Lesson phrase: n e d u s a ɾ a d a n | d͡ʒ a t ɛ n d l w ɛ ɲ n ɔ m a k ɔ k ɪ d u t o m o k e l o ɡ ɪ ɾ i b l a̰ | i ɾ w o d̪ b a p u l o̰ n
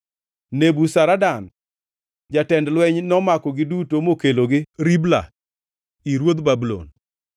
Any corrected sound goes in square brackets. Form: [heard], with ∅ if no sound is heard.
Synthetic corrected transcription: n e [b] u s a ɾ a d a n | d͡ʒ a t ɛ n d l w ɛ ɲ n ɔ m a k ɔ [ɡ] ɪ d u t o m o k e l o ɡ ɪ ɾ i b l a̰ | i ɾ w o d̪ b a [b] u l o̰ n